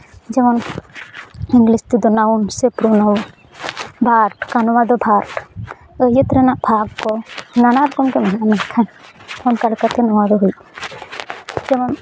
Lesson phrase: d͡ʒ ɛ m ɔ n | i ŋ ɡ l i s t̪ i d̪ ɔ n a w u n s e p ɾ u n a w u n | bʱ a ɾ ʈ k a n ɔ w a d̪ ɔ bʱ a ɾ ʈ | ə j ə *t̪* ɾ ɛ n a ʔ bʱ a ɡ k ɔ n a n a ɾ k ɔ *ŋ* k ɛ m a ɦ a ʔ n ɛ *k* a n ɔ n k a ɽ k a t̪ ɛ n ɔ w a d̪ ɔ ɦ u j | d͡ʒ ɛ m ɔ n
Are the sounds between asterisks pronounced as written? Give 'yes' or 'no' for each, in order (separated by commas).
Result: yes, no, no